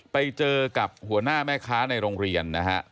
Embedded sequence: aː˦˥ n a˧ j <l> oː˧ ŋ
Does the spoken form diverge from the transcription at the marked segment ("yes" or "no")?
yes